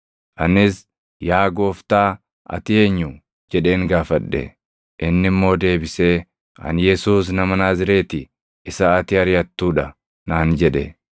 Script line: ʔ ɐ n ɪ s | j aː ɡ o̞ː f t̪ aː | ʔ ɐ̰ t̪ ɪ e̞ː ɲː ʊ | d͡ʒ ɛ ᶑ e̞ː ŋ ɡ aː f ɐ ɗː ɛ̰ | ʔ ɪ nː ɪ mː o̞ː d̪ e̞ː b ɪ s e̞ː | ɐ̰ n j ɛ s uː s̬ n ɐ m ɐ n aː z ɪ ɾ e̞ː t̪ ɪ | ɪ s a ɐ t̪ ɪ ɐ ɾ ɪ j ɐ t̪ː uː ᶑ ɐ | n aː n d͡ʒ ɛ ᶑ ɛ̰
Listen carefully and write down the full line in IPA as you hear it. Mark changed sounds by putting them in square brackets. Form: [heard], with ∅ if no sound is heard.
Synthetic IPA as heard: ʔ ɐ n ɪ s | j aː ɡ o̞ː f t̪ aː | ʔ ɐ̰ t̪ ɪ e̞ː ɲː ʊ | d͡ʒ ɛ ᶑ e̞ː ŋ ɡ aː f ɐ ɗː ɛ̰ | ʔ ɪ nː ɪ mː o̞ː d̪ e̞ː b ɪ s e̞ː | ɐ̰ n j ɛ s uː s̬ n ɐ m ɐ n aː z ɪ ɾ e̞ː t̪ ɪ | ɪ s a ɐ t̪ ɪ ɐ ɾ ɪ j ɐ t̪ː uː ᶑ ɐ | n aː n d͡ʒ ɛ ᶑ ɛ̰